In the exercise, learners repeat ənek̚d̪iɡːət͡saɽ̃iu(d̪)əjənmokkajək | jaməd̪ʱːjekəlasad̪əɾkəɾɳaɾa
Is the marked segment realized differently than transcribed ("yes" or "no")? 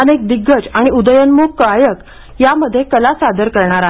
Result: no